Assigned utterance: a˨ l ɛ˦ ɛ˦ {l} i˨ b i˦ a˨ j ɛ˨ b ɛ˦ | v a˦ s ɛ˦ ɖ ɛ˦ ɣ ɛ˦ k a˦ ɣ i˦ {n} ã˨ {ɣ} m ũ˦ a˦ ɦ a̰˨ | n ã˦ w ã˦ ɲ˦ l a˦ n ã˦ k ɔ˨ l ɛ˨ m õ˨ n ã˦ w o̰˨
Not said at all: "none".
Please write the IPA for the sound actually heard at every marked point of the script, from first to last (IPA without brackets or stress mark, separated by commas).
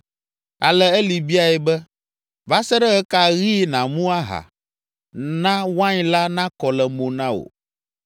l, n, none